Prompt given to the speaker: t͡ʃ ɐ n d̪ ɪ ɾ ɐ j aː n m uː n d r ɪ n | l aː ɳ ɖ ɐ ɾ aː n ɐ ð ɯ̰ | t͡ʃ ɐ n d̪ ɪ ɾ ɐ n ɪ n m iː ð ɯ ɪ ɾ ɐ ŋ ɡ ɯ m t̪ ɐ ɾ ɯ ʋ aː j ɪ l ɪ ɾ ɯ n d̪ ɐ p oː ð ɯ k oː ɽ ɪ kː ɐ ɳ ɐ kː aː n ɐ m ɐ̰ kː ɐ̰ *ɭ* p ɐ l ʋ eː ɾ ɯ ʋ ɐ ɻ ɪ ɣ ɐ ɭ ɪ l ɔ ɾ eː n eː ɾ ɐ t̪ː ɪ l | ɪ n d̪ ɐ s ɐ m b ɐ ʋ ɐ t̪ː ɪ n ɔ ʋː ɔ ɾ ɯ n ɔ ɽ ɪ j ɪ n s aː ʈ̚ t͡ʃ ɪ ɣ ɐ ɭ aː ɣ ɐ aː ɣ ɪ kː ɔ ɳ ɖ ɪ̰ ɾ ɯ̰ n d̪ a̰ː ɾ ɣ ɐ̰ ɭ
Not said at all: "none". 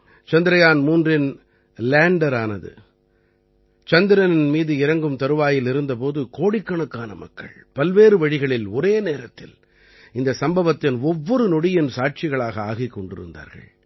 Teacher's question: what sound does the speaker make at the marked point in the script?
ɭ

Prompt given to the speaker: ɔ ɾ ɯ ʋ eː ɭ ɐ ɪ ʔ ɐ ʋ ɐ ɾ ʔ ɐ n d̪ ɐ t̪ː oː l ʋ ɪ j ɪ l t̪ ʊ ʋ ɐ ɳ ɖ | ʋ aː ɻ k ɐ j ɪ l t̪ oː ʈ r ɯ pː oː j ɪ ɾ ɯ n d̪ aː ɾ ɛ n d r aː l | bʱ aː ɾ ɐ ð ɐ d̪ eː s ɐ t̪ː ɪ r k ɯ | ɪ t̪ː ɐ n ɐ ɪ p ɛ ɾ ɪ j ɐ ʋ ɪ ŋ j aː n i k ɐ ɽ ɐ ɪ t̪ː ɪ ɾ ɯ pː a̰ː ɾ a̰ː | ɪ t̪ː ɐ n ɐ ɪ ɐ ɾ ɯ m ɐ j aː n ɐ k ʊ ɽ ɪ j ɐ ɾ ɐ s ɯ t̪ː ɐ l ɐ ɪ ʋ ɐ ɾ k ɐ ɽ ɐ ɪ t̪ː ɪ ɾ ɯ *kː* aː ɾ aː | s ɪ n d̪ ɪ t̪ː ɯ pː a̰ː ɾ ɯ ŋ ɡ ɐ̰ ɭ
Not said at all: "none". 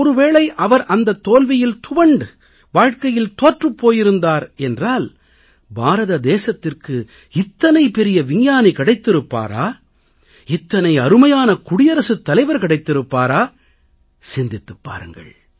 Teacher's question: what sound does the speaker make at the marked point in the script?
pː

